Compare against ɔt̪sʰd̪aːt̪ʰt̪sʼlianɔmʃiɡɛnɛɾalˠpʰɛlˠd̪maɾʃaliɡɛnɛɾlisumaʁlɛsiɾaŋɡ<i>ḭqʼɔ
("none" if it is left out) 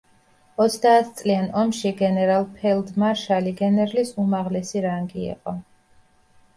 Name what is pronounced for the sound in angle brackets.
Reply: i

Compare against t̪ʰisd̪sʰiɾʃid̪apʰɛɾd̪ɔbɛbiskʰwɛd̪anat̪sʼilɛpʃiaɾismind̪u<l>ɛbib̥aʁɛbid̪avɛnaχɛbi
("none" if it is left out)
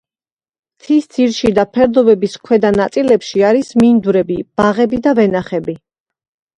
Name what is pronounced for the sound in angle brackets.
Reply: ɾ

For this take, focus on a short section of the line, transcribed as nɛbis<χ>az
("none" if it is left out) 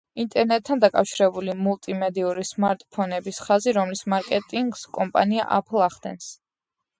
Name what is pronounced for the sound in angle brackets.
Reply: χ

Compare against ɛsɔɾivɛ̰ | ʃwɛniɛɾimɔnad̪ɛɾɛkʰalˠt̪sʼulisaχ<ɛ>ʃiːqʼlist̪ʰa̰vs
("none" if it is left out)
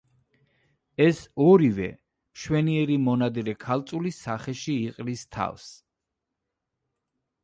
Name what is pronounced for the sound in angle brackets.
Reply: ɛ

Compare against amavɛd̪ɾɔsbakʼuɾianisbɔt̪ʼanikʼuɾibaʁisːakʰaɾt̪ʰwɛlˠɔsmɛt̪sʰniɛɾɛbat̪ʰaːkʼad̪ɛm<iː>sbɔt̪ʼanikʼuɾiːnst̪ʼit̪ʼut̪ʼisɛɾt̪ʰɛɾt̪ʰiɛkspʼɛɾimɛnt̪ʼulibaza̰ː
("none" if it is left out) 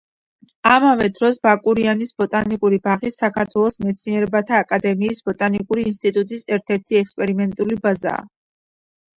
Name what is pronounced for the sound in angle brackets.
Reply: iː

